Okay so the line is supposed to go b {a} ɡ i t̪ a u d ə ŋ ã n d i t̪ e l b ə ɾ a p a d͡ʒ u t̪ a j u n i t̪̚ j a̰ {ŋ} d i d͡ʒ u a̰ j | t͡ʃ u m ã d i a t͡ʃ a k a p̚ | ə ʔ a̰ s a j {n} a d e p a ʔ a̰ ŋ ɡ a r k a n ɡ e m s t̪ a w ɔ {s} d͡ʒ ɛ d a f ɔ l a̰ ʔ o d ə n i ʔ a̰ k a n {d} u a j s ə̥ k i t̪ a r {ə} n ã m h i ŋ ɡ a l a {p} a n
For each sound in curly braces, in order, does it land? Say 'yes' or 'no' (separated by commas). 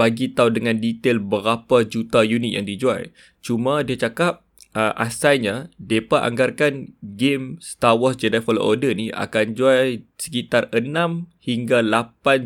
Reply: yes, yes, no, yes, no, yes, yes